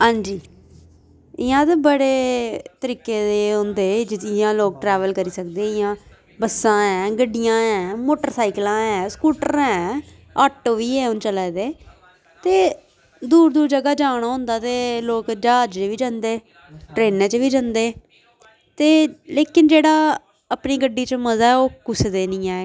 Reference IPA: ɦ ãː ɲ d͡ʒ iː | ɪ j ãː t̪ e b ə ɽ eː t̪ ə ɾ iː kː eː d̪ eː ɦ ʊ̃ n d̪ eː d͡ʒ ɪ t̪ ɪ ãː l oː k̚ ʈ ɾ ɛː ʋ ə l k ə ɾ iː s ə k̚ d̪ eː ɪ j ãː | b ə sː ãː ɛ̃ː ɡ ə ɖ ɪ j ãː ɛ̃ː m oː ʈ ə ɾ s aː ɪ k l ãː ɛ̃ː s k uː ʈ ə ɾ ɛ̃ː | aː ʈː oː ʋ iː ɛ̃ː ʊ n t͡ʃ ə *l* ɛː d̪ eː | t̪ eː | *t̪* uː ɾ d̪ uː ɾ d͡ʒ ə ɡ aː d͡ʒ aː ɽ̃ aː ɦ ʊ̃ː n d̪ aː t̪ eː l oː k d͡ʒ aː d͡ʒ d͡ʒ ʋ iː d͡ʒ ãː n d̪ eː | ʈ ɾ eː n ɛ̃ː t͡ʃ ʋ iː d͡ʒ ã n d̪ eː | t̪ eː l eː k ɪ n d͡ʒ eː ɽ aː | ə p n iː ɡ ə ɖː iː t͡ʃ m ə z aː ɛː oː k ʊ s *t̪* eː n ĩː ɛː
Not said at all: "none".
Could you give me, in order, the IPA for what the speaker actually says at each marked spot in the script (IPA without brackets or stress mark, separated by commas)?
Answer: l, d̪, d̪